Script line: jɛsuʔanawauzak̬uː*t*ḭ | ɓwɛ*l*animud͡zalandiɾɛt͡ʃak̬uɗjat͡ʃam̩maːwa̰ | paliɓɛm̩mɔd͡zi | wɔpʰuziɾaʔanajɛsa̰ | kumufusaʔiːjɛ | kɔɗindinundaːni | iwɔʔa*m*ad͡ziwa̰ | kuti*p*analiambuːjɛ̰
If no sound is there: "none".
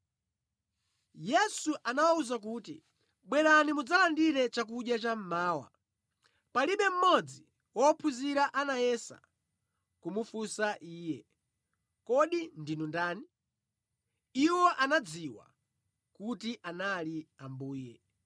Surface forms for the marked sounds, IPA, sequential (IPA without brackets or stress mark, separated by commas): t, ɾ, n, ʔ